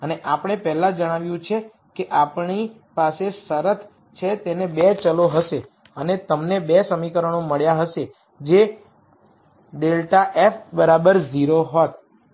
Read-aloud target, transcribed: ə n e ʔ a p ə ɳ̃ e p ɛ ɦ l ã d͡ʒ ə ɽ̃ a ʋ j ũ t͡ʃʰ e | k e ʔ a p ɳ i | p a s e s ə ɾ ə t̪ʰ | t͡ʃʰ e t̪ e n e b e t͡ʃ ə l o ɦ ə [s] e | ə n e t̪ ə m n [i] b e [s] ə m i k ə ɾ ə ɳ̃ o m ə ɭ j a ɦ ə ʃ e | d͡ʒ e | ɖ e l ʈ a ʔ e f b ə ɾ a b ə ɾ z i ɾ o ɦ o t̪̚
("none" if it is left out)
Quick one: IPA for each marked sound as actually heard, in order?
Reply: ʃ, e, s

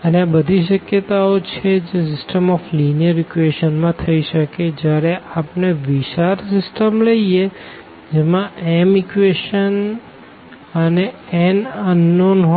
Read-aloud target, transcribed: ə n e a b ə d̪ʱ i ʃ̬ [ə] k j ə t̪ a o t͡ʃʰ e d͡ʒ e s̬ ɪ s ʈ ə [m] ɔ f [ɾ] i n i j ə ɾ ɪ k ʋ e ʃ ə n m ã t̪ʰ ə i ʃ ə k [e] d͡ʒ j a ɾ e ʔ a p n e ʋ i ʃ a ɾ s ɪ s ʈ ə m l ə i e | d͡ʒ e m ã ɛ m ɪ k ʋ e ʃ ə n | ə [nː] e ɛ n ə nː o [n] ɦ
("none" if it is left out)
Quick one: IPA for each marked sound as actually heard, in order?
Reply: ə, m, l, e, n, n

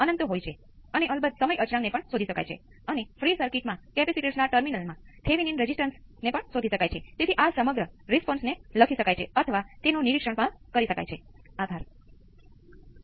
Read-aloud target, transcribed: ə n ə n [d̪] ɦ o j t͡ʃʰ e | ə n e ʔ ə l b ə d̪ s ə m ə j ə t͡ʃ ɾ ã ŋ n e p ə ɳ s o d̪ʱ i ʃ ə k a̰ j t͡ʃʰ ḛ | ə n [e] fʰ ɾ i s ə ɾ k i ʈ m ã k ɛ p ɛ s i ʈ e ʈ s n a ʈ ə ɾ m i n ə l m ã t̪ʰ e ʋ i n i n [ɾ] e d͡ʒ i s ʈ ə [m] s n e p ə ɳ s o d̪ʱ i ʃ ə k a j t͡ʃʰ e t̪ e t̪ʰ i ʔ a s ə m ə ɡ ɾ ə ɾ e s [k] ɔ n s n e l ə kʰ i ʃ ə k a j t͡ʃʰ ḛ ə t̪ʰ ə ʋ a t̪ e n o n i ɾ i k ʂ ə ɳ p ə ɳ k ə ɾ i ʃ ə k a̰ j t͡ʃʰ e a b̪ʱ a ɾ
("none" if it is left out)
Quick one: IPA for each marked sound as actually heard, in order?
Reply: t̪, e, ɾ, n, p

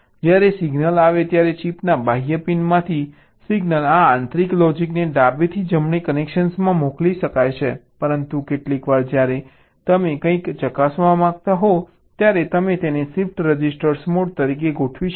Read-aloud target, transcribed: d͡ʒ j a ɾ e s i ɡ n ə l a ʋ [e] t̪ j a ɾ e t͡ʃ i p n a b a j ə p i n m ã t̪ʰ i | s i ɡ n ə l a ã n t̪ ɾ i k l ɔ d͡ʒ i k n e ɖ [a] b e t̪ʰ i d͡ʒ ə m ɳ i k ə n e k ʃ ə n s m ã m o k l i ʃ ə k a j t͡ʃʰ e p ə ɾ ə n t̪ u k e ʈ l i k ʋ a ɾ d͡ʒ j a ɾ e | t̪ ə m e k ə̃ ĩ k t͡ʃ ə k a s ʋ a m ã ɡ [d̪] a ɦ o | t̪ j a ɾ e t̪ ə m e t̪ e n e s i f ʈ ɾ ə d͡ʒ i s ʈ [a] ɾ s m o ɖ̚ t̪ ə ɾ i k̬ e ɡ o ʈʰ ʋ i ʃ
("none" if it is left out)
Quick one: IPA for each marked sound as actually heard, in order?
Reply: e, a, t̪, ə

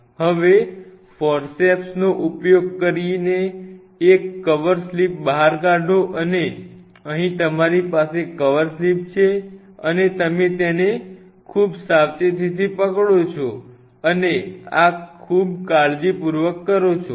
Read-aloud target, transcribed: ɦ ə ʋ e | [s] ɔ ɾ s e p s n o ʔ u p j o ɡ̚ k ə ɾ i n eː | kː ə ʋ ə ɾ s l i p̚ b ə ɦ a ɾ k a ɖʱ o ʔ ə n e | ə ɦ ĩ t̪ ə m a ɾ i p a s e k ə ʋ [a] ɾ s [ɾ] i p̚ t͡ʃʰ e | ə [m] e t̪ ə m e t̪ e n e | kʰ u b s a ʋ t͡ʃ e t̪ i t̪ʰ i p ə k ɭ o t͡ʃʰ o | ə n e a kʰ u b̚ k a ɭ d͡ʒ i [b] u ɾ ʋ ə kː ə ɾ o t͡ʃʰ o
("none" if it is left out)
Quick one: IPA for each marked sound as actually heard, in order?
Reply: f, ə, l, n, p

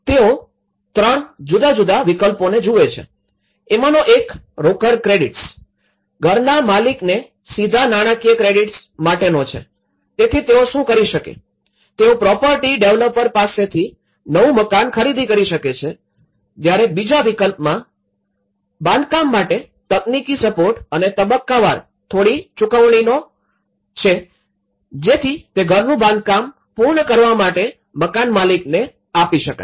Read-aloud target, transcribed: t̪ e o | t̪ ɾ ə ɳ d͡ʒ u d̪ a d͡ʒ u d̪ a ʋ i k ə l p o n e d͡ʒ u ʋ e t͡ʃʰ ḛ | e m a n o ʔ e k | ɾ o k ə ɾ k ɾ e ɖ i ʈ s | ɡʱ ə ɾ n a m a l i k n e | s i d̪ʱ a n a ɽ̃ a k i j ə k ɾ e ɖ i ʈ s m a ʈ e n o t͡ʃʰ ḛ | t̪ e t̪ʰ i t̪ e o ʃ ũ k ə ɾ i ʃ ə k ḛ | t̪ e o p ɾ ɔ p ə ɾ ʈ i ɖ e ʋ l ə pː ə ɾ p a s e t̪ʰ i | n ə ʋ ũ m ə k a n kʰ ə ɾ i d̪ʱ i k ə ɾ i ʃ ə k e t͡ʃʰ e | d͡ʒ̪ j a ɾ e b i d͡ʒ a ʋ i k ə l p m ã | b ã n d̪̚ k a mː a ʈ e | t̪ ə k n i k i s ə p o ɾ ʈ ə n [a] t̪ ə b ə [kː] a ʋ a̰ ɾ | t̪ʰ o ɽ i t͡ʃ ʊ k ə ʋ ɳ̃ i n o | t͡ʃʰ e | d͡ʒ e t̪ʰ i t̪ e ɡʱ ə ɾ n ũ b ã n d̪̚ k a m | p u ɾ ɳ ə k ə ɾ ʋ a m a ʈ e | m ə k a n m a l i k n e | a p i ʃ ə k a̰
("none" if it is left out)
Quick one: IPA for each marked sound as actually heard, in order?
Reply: e, kː

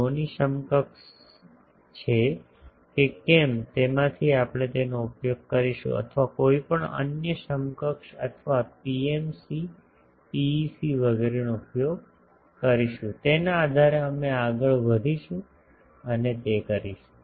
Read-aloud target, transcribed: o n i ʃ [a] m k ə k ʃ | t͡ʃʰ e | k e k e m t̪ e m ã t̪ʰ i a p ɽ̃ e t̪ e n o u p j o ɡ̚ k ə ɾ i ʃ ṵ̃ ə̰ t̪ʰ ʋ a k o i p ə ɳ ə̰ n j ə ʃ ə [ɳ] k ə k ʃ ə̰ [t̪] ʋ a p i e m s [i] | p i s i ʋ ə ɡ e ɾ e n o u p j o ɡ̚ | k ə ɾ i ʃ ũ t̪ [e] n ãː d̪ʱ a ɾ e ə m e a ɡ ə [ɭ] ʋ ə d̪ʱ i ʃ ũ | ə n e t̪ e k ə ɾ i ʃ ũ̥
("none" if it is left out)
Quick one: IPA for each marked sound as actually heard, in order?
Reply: ə, m, t̪ʰ, i, e, ɭ

